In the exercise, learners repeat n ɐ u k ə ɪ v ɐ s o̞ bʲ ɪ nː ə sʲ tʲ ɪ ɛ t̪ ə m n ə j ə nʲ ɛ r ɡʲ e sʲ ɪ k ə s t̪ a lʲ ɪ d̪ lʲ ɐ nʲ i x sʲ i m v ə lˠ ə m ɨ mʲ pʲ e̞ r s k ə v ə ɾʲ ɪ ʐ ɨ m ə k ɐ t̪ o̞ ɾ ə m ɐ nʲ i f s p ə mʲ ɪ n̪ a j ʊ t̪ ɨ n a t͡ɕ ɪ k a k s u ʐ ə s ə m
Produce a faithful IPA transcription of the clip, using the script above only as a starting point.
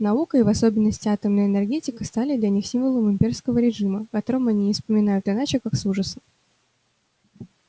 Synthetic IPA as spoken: n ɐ u k ə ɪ v ɐ s o̞ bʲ ɪ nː ə sʲ tʲ ɪ a t̪ ə m n ə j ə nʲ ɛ r ɡʲ e tʲ ɪ k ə s t̪ a lʲ ɪ d̪ lʲ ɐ nʲ i x sʲ i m v ə lˠ ə m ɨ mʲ pʲ e̞ r s k ə v ə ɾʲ ɪ ʐ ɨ m ə k ɐ t̪ o̞ ɾ ə m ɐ nʲ i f s p ə mʲ ɪ n̪ a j ʊ t̪ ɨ n a t͡ɕ ɪ k a k s u ʐ ə s ə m

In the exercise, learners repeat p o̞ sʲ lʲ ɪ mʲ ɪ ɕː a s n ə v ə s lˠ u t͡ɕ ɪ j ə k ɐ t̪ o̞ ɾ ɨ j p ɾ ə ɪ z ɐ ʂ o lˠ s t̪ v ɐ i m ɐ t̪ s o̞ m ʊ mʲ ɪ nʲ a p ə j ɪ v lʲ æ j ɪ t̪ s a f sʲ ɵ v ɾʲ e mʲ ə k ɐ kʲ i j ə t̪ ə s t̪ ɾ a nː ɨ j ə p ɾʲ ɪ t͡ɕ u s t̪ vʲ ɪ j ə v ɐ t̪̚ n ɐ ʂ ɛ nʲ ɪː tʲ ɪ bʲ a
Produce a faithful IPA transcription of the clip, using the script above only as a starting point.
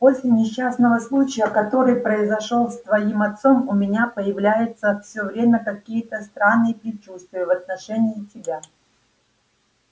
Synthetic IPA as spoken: p o̞ sʲ lʲ ɪ nʲ ɪ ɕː a s n ə v ə s lˠ u t͡ɕ ɪ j ə k ɐ t̪ o̞ ɾ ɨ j p ɾ ə ɪ z ɐ ʂ o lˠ s t̪ v ɐ i m ɐ t̪ s o̞ m ʊ mʲ ɪ nʲ a p ə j ɪ v lʲ æ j ɪ t̪ s ə f sʲ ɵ v ɾʲ e mʲ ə k ɐ kʲ i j ə t̪ ə s t̪ ɾ a nː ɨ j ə p ɾʲ ɪ t͡ɕ u s t̪ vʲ ɪ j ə v ɐ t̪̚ n ɐ ʂ ɛ nʲ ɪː tʲ ɪ bʲ a

